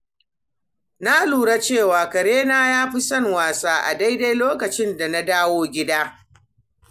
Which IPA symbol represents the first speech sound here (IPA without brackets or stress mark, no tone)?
n